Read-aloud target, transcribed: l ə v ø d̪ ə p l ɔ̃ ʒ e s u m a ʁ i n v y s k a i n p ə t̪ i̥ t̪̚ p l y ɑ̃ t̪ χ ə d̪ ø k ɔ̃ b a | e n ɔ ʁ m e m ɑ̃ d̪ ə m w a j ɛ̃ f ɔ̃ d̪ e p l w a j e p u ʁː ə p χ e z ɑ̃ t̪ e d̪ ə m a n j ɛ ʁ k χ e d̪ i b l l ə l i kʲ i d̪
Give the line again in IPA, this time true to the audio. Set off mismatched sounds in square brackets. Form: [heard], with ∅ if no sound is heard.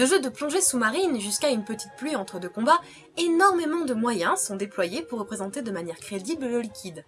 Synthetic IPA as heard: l ə [ʒ] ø d̪ ə p l ɔ̃ ʒ e s u m a ʁ i n [ʒ] y s k a [y] n p ə t̪ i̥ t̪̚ p l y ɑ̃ t̪ χ ə d̪ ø k ɔ̃ b a | e n ɔ ʁ m e m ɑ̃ d̪ ə m w a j ɛ̃ [s] ɔ̃ d̪ e p l w a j e p u ʁː ə p χ e z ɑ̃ t̪ e d̪ ə m a n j ɛ ʁ k χ e d̪ i b l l ə l i kʲ i d̪

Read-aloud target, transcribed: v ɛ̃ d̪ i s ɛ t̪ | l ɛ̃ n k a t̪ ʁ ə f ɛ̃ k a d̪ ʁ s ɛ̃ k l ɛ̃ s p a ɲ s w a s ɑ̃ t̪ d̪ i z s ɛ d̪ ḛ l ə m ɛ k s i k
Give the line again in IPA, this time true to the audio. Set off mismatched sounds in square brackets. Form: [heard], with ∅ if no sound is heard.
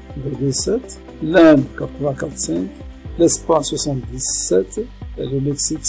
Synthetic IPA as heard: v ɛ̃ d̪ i s ɛ t̪ | l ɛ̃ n k a t̪ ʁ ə [v] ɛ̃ k a [t̪] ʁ s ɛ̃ k l [ɛ] s p a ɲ s w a s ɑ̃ t̪ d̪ i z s ɛ [t̪] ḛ l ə m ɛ k s i k

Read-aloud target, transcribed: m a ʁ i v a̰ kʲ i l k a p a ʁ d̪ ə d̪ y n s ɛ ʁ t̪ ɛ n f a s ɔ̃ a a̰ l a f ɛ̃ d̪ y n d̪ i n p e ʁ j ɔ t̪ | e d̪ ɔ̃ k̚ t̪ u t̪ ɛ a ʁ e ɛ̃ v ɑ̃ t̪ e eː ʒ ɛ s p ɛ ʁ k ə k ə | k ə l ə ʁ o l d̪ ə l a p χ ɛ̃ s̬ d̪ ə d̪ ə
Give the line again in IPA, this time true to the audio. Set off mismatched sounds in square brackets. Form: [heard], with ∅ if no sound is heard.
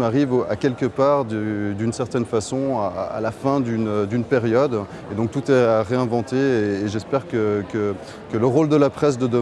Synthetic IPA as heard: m a ʁ i v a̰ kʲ [ɛ] l k [ə] p a ʁ d̪ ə d̪ y n s ɛ ʁ t̪ ɛ n f a s ɔ̃ a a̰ l a f ɛ̃ d̪ y n d̪ [y] n p e ʁ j ɔ [d̪] | e d̪ ɔ̃ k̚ t̪ u t̪ ɛ a ʁ e ɛ̃ v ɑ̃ t̪ e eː ʒ ɛ s p ɛ ʁ k ə k ə | k ə l ə ʁ o l d̪ ə l a p χ [ɛ] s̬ d̪ ə d̪ ə

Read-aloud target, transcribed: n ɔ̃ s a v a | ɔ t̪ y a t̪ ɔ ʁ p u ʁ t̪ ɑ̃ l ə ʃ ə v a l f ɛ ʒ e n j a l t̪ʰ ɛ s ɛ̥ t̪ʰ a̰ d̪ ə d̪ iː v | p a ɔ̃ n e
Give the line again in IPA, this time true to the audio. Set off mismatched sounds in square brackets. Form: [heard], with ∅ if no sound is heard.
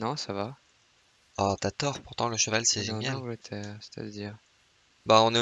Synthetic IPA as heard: n ɔ̃ s a v a | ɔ t̪ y a t̪ ɔ ʁ p u ʁ t̪ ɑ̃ l ə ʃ ə v a l [s] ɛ ʒ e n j a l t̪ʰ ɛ s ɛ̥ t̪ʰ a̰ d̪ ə d̪ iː [ʁ] | [b] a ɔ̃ n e

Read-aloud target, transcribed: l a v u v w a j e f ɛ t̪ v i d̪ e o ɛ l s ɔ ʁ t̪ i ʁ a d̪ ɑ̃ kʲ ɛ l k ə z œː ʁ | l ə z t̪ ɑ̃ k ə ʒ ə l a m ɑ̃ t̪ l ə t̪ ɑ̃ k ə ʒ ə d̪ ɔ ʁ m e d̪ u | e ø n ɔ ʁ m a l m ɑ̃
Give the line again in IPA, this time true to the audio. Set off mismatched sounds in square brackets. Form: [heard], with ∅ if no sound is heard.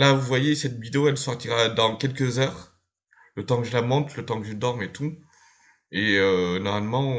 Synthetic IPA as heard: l a v u v w a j e [s] ɛ t̪ v i d̪ e o ɛ l s ɔ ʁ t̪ i ʁ a d̪ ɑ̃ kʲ ɛ l k ə z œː ʁ | l ə [∅] t̪ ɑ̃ k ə ʒ ə l a m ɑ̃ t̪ l ə t̪ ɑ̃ k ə ʒ ə d̪ ɔ ʁ m e [t̪] u | e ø n ɔ ʁ m a l m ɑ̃

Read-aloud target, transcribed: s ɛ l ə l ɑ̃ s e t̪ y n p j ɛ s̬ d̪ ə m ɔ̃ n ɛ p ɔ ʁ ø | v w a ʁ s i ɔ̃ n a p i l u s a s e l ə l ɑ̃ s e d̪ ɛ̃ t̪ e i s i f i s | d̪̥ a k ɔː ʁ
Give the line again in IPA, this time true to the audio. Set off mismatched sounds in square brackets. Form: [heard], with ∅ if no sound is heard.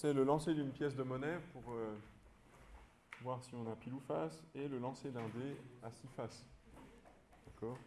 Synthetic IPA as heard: s ɛ l ə l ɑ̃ s e [d̪] y n p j ɛ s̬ d̪ ə m [ɔ] n ɛ p [u] ʁ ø | v w a ʁ s i ɔ̃ n a p i l u [f] a s e l ə l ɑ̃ s e d̪ ɛ̃ [d̪] e [a] s i f [a] s | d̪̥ a k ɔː ʁ

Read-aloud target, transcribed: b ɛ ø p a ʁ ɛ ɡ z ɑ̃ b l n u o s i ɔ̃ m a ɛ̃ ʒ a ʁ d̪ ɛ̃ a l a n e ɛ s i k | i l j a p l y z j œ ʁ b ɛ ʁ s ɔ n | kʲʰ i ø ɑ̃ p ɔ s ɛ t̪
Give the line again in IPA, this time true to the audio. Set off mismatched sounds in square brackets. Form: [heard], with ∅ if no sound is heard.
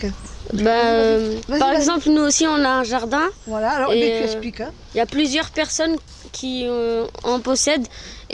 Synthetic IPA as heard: b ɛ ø p a ʁ ɛ ɡ z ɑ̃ [p] l n u o s i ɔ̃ [n] a ɛ̃ ʒ a ʁ d̪ ɛ̃ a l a [∅] e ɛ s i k | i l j a p l y z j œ ʁ [p] ɛ ʁ s ɔ n | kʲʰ i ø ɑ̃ p ɔ s ɛ [d̪]

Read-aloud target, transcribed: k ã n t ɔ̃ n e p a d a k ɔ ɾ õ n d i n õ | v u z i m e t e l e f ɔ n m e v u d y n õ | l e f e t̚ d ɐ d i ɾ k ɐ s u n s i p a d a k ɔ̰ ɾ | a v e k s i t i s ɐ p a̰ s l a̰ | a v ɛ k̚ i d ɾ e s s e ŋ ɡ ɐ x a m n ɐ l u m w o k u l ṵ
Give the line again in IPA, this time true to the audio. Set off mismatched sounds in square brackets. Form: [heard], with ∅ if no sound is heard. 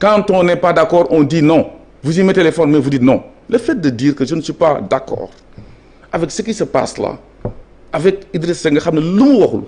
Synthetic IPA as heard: k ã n t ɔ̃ n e p a d a k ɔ ɾ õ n d i n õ | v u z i m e t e l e f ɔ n m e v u d [i] n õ | l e f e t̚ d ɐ d i ɾ k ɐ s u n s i p a d a k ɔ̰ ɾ | a v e k s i [k] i s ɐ p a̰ s l a̰ | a v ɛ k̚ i d ɾ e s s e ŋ ɡ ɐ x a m n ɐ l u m w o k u l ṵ

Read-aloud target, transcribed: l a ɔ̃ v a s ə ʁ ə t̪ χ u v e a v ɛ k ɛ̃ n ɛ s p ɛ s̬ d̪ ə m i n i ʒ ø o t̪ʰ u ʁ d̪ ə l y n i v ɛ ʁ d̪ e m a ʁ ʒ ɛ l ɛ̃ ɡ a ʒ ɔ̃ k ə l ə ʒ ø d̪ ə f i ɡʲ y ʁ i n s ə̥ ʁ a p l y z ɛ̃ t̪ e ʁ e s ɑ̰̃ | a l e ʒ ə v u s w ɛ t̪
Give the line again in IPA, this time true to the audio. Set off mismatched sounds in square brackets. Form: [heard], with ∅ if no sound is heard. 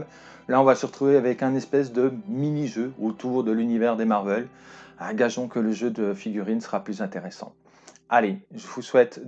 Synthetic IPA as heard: l a ɔ̃ v a s ə ʁ ə t̪ χ u v e a v ɛ k ɛ̃ n ɛ s p ɛ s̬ d̪ ə m i n i ʒ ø o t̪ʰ u ʁ d̪ ə l y n i v ɛ ʁ d̪ e m a ʁ [v] ɛ l ɛ̃ ɡ a ʒ ɔ̃ k ə l ə ʒ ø d̪ ə f i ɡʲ y ʁ i n s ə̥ ʁ a p l y z ɛ̃ t̪ e ʁ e s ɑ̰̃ | a l e ʒ ə v u s w ɛ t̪

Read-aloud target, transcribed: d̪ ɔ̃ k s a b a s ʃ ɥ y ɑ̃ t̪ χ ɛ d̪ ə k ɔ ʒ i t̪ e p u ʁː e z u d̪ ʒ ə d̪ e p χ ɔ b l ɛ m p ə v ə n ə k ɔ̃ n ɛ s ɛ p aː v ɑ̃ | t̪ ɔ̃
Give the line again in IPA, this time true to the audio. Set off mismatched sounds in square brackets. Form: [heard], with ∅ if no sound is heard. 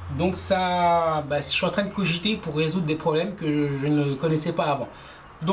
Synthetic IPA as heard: d̪ ɔ̃ k s a b a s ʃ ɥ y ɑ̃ t̪ χ [ɛ̃] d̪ ə k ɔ ʒ i t̪ e p u ʁː e z u d̪ [ʁ] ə d̪ e p χ ɔ b l ɛ m [k] ə [ʒ] ə n ə k [ɔ] n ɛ s ɛ p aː v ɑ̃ | [d̪] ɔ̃

